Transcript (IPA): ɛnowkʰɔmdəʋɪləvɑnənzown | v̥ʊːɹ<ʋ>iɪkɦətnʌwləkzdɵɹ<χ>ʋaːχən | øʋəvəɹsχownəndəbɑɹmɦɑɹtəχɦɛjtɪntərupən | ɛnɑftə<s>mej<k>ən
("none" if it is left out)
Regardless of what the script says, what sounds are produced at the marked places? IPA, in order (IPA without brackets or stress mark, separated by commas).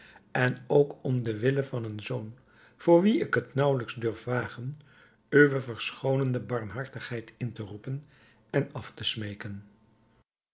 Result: ʋ, f, s, k